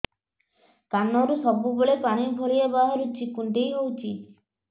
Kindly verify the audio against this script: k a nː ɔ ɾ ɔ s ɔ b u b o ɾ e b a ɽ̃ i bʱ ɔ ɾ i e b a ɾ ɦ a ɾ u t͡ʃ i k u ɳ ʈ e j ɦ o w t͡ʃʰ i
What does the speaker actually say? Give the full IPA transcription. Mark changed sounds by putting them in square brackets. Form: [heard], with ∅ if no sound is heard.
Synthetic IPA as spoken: k a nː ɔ ɾ [u] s ɔ b u b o [ɭ] e [p] a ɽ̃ i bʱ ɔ [ɭ] i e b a [∅] ɦ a ɾ u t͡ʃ i k u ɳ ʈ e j ɦ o w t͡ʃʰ i

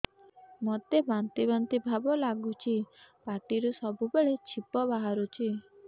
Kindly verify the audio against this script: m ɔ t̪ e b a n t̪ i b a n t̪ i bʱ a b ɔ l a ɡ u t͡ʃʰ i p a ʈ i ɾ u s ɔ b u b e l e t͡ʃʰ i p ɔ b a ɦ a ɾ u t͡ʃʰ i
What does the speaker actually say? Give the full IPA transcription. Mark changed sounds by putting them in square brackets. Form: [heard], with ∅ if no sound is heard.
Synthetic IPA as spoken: m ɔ t̪ e b a n t̪ i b a n t̪ i bʱ a b ɔ l a ɡ u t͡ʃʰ i p a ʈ i ɾ u s ɔ b u b e [ɭ] e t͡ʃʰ i p ɔ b a ɦ a ɾ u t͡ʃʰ i

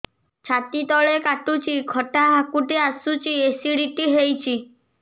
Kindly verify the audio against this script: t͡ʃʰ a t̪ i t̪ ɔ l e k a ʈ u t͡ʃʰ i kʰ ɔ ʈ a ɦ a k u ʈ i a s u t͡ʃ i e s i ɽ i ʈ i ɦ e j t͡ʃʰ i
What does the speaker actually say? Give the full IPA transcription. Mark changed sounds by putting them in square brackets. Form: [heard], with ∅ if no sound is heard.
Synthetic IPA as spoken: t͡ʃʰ a t̪ i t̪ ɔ [ɭ] e k a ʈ u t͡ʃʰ i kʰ ɔ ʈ a ɦ a k u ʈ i a s u t͡ʃ i e s i ɽ i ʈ i ɦ e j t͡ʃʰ i

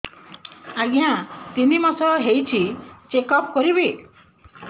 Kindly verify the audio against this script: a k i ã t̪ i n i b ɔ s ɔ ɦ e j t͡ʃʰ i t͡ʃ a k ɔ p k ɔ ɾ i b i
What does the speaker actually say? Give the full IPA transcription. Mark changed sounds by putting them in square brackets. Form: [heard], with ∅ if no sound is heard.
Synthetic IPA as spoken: a [ɡ] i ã t̪ i n i [m] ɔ s ɔ ɦ e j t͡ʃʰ i t͡ʃ [e] k ɔ p k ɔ ɾ i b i

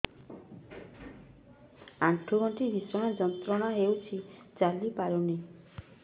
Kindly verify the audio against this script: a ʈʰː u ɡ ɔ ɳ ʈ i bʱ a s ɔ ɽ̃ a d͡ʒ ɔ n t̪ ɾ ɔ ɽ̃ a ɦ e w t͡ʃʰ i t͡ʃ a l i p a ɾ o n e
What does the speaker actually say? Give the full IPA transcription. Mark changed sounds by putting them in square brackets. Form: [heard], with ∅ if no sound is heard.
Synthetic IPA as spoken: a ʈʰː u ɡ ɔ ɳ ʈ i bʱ [i] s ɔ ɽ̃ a d͡ʒ ɔ n t̪ ɾ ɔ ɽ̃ a ɦ e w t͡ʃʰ i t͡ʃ a l i p a ɾ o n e

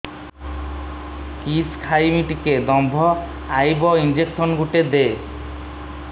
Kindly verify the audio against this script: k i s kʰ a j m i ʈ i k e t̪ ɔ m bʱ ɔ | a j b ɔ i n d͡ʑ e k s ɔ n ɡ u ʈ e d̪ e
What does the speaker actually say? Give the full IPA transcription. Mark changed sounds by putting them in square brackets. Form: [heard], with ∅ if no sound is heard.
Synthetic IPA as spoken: k i s kʰ a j m i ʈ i k e [d̪] ɔ m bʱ ɔ | a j b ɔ i n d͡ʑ e k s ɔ n ɡ u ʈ e d̪ e

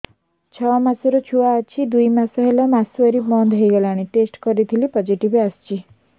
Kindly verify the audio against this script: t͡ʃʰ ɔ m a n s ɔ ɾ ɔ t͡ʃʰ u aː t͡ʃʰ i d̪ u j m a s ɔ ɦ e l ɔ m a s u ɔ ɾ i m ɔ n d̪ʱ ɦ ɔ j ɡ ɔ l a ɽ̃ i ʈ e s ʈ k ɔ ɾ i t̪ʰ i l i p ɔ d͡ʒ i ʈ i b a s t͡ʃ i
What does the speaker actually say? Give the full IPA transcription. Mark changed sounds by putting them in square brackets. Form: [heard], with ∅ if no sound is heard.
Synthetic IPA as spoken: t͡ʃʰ ɔ m a [∅] s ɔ ɾ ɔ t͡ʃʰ u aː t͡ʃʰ i d̪ u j m a s ɔ ɦ e l ɔ m a s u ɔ ɾ i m ɔ n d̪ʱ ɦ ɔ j ɡ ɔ l a ɽ̃ i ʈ e s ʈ k ɔ ɾ i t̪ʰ i l i p ɔ d͡ʒ i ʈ i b a s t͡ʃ i

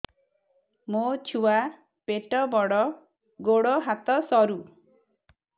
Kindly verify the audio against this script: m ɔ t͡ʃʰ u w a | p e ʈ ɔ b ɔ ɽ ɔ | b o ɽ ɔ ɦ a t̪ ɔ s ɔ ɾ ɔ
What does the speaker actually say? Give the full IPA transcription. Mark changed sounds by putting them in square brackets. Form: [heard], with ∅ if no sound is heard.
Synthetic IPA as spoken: m [o] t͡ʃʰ u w a | p e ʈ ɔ b ɔ ɽ ɔ | [ɡ] o ɽ ɔ ɦ a t̪ ɔ s ɔ ɾ [u]

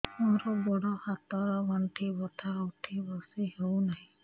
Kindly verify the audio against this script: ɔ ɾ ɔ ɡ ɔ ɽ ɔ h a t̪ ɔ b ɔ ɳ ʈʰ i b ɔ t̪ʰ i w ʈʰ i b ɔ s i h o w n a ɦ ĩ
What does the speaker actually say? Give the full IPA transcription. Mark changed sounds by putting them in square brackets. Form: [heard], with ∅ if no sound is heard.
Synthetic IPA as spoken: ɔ ɾ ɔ [b] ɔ ɽ ɔ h a t̪ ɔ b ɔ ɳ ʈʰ i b ɔ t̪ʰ [a] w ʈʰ i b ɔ s i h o w n a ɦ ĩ

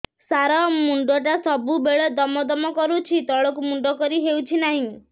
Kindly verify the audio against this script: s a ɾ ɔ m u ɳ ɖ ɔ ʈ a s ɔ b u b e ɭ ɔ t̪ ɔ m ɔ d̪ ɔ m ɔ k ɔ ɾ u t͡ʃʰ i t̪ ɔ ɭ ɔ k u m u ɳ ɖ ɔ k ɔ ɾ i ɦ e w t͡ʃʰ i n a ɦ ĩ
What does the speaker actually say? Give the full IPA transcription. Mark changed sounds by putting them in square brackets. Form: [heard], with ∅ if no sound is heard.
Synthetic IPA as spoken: s a ɾ ɔ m u ɳ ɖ ɔ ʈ a s ɔ b u b e ɭ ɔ [d̪] ɔ m ɔ d̪ ɔ m ɔ k ɔ ɾ u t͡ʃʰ i t̪ ɔ ɭ ɔ k u m u ɳ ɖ ɔ k ɔ ɾ i ɦ e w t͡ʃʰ i n a ɦ ĩ

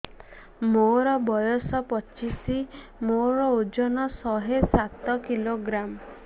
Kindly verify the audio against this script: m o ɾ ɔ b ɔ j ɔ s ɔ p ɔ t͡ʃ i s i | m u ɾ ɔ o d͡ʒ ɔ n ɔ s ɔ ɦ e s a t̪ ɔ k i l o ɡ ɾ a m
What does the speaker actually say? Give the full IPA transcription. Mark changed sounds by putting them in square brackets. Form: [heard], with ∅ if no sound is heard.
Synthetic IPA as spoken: m o ɾ ɔ b ɔ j ɔ s ɔ p ɔ t͡ʃ i s i | m [o] ɾ ɔ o d͡ʒ ɔ n ɔ s ɔ ɦ e s a t̪ ɔ k i l o ɡ ɾ a m

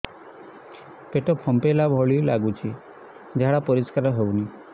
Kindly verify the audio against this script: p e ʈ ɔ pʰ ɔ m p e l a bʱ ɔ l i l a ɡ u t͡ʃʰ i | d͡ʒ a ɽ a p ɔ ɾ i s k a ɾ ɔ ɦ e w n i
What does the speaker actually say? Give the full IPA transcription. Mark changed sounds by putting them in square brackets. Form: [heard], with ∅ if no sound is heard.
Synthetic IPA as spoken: p e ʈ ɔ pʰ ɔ m p e l a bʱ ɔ [ɭ] i l a ɡ u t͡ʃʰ i | d͡ʒ a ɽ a p ɔ ɾ i s k a ɾ ɔ ɦ e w n i

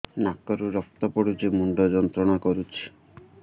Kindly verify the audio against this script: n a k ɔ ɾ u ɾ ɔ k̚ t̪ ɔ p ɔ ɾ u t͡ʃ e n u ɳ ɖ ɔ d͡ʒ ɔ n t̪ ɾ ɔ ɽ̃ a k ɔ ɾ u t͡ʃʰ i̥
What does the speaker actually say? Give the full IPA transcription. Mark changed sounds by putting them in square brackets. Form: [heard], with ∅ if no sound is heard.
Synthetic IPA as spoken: n a k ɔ ɾ u ɾ ɔ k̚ t̪ ɔ p ɔ [ɽ] u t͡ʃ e [m] u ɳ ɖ ɔ d͡ʒ ɔ n t̪ ɾ ɔ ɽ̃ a k ɔ ɾ u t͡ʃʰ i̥

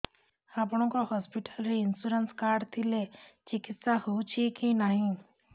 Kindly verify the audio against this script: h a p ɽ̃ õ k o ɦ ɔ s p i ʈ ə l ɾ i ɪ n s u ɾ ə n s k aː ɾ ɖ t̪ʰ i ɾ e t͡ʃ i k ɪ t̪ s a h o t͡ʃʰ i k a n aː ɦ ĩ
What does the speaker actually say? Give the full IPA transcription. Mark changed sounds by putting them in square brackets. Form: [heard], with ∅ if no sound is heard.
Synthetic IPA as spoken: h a p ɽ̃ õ k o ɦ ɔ s p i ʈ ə l ɾ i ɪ n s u ɾ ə n s k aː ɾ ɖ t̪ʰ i [l] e t͡ʃ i k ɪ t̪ s a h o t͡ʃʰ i k [i] n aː ɦ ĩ

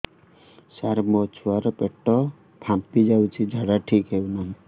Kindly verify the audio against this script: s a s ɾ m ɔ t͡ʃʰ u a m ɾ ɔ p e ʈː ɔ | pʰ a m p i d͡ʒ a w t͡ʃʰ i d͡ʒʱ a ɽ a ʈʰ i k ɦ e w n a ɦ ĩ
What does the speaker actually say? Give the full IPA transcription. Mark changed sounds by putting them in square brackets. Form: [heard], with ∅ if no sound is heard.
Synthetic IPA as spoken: s a [∅] ɾ m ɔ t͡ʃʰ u a [∅] ɾ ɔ p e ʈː ɔ | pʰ a m p i d͡ʒ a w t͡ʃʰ i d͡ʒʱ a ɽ a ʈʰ i k ɦ e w n a ɦ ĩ

